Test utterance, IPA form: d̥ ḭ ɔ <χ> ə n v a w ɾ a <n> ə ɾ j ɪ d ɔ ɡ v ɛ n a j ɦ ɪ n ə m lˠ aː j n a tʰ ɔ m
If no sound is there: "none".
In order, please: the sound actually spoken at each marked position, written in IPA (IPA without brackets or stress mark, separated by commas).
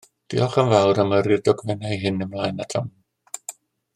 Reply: χ, m